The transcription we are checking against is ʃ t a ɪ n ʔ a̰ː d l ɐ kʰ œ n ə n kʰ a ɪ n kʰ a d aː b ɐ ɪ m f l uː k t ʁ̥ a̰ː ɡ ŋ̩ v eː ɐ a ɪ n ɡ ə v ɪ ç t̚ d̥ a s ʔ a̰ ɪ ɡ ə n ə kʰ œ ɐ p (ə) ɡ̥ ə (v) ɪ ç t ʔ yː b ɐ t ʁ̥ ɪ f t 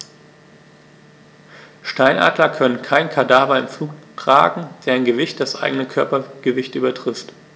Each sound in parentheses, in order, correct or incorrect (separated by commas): incorrect, correct